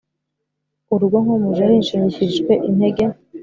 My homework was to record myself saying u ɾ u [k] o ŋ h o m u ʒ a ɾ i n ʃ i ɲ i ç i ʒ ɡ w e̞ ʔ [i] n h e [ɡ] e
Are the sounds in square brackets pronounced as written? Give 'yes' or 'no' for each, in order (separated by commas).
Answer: no, yes, yes